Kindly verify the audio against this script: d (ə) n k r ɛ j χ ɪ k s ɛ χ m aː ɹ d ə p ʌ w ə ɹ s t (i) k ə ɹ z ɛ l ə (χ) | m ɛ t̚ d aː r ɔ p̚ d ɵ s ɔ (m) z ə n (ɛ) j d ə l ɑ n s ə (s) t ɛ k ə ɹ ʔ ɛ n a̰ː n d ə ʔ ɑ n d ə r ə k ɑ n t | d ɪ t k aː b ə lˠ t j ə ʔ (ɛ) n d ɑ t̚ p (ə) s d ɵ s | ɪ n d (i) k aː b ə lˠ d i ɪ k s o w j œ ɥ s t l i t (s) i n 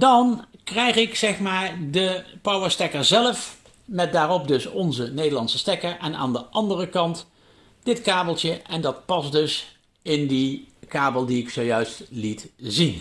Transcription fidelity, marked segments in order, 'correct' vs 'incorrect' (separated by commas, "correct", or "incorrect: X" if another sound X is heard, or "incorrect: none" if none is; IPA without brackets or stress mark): incorrect: ɑ, incorrect: ɛ, incorrect: f, incorrect: n, incorrect: e, correct, correct, incorrect: ɑ, correct, incorrect: z